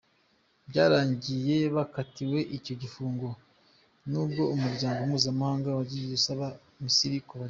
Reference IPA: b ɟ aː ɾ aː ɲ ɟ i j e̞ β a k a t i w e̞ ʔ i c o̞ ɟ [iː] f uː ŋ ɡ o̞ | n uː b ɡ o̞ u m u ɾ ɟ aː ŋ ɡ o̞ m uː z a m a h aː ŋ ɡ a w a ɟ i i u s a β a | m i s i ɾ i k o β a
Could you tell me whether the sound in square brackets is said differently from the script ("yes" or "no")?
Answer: yes